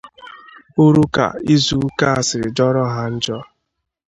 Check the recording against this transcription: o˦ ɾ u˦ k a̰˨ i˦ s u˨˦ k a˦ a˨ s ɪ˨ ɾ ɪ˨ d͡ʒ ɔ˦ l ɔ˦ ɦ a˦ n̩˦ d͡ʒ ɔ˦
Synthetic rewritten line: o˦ ɾ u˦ k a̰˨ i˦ z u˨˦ k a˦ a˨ s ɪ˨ ɾ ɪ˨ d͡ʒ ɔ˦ ɾ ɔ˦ ɦ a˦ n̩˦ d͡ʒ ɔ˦